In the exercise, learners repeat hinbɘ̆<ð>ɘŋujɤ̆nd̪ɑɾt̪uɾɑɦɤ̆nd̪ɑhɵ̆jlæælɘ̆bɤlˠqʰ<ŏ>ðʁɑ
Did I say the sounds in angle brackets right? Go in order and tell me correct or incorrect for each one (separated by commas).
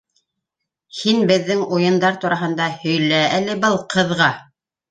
incorrect, incorrect